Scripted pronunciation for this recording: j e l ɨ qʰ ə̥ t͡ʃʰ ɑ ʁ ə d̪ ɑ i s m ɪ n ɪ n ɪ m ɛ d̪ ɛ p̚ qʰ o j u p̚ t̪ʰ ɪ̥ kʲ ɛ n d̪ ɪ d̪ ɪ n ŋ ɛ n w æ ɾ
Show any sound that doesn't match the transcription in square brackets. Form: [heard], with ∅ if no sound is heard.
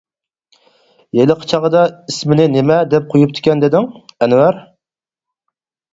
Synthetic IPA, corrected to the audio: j e l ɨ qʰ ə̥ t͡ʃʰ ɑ ʁ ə d̪ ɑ i s m ɪ n ɪ n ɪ m ɛ d̪ ɛ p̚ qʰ o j u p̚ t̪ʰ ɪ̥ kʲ ɛ n d̪ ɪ d̪ ɪ [∅] ŋ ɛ n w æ ɾ